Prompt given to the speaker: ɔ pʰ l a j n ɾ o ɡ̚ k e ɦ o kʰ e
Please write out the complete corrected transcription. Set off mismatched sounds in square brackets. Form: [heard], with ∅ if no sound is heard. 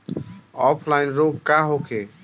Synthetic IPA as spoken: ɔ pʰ l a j n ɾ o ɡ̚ k [a] ɦ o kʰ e